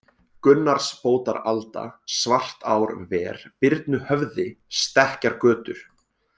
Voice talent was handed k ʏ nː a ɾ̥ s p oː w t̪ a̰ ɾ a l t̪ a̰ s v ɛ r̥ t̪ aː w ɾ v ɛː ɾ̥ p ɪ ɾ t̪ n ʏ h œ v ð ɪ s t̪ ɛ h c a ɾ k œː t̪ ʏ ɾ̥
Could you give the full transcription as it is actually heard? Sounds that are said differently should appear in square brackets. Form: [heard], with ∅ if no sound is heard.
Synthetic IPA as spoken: k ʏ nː a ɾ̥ s p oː w t̪ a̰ ɾ a l t̪ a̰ s v [a] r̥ t̪ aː w ɾ v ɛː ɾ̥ p ɪ ɾ t̪ n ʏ h œ v ð ɪ s t̪ ɛ h c a ɾ k œː t̪ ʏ ɾ̥